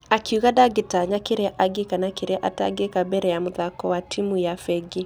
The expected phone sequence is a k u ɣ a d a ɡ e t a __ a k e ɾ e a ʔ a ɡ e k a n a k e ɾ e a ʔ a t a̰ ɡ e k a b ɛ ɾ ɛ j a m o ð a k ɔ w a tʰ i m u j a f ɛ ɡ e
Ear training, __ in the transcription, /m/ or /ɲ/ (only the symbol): ɲ